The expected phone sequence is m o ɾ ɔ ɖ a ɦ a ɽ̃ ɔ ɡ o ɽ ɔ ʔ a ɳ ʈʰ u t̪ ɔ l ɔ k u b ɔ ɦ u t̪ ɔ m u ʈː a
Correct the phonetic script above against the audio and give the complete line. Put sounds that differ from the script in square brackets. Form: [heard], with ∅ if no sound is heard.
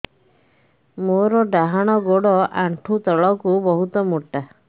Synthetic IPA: m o ɾ ɔ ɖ a ɦ a ɽ̃ ɔ ɡ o ɽ ɔ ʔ a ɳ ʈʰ u t̪ ɔ [ɭ] ɔ k u b ɔ ɦ u t̪ ɔ m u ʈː a